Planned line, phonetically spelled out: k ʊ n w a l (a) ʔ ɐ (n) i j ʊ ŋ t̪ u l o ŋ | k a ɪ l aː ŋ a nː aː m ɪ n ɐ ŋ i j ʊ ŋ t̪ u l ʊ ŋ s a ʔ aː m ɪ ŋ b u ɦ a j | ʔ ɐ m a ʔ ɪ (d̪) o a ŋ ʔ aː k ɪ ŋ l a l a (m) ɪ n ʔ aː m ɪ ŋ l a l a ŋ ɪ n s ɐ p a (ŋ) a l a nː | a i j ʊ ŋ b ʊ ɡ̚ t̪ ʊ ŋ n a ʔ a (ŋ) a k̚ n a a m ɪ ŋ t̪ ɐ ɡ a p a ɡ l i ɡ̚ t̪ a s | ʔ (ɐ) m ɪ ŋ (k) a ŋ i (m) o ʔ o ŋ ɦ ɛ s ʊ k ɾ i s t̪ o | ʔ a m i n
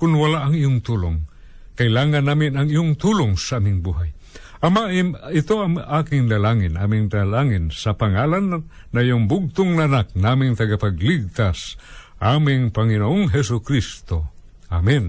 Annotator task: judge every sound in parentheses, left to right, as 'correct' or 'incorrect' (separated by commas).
correct, incorrect, incorrect, incorrect, correct, incorrect, incorrect, incorrect, incorrect